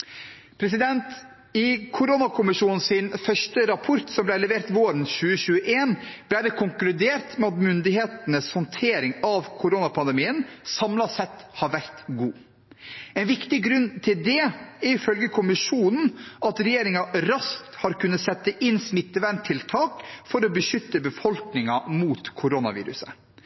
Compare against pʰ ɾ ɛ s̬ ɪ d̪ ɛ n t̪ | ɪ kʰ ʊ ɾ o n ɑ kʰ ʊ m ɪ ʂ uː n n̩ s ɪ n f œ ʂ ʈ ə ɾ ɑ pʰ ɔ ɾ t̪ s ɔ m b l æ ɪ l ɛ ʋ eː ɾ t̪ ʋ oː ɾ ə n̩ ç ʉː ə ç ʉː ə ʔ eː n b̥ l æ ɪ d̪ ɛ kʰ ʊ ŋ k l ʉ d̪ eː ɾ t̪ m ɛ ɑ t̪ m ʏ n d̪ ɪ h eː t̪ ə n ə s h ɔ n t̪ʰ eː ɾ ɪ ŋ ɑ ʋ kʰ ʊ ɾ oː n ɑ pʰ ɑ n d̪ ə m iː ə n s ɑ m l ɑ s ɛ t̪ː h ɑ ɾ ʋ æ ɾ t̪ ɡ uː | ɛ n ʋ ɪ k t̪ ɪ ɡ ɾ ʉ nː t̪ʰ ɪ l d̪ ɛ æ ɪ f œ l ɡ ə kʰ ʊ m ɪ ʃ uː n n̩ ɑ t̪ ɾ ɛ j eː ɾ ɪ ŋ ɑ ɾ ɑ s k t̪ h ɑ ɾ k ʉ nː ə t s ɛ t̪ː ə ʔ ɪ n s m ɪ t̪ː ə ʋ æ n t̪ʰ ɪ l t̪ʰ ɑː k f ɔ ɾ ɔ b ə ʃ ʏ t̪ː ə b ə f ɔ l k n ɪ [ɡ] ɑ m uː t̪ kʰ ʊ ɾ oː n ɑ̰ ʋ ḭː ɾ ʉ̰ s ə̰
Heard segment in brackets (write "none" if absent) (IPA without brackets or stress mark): ŋ